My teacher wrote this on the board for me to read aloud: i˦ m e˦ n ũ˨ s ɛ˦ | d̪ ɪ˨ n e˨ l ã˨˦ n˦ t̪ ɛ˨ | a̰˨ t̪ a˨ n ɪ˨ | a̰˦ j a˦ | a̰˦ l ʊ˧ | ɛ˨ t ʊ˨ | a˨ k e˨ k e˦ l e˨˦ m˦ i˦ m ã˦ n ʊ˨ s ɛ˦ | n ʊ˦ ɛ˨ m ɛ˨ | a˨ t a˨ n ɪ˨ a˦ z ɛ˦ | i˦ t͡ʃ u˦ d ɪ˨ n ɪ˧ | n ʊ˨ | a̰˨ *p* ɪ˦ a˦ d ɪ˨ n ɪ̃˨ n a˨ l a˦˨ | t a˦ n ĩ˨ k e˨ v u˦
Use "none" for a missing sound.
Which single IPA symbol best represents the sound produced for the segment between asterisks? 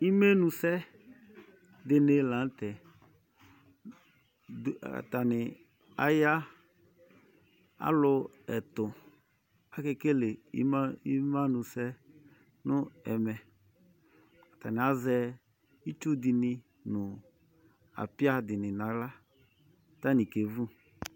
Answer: p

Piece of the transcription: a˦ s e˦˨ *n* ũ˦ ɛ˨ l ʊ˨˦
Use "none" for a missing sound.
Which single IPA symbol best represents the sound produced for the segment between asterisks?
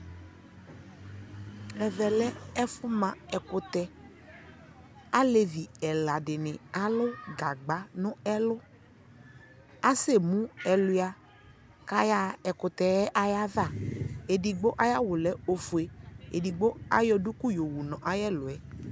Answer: m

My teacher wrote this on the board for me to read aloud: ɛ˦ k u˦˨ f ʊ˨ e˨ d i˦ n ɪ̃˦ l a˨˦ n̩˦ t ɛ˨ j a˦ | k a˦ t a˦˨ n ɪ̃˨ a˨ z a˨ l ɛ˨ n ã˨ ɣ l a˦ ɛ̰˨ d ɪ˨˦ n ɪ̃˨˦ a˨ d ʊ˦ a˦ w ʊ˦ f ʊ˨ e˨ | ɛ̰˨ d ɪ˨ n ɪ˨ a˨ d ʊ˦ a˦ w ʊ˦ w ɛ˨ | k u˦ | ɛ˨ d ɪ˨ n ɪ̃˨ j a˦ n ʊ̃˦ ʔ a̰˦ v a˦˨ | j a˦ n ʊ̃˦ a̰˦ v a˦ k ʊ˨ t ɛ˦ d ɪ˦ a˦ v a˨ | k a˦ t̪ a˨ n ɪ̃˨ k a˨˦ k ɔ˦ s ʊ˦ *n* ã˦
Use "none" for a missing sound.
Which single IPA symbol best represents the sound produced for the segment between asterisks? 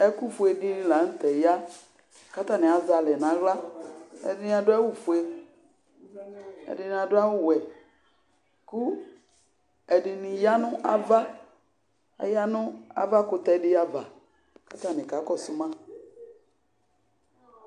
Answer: m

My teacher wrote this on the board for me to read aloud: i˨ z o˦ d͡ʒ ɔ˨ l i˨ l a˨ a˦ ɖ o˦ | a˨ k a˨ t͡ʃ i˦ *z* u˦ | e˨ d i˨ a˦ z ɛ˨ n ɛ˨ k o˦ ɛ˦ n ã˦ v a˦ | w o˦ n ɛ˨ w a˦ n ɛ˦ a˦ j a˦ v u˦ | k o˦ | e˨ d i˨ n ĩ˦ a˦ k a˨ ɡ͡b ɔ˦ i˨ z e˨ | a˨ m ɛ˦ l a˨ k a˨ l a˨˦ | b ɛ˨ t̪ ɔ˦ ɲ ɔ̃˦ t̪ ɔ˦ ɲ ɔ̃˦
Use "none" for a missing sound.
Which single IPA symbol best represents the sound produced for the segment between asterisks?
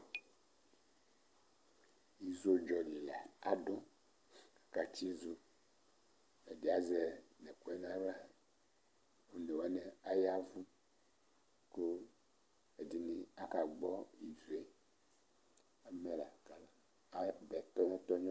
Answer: z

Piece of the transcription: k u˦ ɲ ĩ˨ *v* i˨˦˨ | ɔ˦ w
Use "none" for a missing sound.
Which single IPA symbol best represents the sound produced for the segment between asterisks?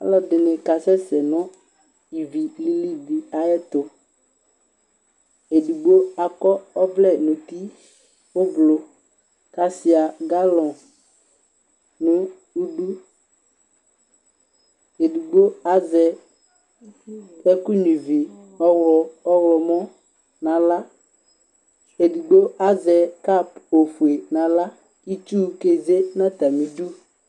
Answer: v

